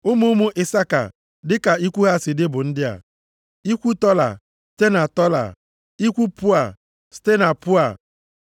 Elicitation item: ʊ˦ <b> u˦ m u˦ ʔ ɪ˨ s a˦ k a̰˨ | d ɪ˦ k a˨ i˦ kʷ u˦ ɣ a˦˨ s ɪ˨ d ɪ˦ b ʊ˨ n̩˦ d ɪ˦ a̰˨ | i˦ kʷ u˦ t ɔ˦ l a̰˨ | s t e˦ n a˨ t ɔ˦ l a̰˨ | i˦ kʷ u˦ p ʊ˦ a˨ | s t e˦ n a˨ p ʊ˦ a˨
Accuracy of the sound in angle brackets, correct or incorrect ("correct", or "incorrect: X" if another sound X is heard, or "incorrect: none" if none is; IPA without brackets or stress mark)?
incorrect: m